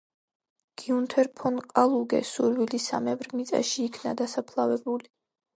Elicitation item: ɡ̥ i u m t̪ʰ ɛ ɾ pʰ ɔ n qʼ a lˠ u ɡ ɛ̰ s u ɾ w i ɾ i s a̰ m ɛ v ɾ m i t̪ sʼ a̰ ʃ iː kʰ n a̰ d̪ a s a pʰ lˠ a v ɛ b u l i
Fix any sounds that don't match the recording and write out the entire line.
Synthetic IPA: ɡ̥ i u n t̪ʰ ɛ ɾ pʰ ɔ n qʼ a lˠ u ɡ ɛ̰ s u ɾ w i l i s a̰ m ɛ v ɾ m i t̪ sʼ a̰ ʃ iː kʰ n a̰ d̪ a s a pʰ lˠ a v ɛ b u l i